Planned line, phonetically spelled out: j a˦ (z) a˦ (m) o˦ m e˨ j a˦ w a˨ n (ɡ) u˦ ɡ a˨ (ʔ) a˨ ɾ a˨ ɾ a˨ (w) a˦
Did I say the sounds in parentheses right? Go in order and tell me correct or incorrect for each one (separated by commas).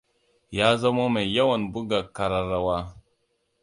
correct, correct, incorrect, incorrect, correct